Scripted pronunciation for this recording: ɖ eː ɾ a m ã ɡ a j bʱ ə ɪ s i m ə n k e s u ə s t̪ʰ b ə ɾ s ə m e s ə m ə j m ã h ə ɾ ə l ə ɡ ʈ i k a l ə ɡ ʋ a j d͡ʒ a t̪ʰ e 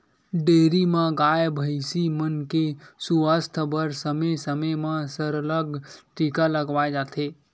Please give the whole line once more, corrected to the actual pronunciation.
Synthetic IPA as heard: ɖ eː ɾ i m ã ɡ a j bʱ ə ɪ s i m ə n k e s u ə s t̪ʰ b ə ɾ s ə m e s ə m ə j m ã s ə ɾ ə l ə ɡ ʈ i k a l ə ɡ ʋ a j d͡ʒ a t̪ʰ e